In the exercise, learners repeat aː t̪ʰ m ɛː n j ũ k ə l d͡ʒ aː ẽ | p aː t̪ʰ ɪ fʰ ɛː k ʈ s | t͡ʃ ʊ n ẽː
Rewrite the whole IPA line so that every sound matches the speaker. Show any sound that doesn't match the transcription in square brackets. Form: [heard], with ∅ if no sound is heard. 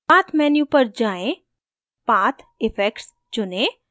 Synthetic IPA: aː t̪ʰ m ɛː n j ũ [p] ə [ɾ] d͡ʒ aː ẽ | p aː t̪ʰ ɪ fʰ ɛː k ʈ s | t͡ʃ ʊ n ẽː